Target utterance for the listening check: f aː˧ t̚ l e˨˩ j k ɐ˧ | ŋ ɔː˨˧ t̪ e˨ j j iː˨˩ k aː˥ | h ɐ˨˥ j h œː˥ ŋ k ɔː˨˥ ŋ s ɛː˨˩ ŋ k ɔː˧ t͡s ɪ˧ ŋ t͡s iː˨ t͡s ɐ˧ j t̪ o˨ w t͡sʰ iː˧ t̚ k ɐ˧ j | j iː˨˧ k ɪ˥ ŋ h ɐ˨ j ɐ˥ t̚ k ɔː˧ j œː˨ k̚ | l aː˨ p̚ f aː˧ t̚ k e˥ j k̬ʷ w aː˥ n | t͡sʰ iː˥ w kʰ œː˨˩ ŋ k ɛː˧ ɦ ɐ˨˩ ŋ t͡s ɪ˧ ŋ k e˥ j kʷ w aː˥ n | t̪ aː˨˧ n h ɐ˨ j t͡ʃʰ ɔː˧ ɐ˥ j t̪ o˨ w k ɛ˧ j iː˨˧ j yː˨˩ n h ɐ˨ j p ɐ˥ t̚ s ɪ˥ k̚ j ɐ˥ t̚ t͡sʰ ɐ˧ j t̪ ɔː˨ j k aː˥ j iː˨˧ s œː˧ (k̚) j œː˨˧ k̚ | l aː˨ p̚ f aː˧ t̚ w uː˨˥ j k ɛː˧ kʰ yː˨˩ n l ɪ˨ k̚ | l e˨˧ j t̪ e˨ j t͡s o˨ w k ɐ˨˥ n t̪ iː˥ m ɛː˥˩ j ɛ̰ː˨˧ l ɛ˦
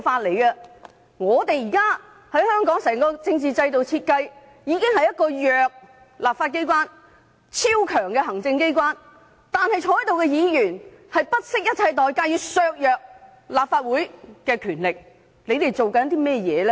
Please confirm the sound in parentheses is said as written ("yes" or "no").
yes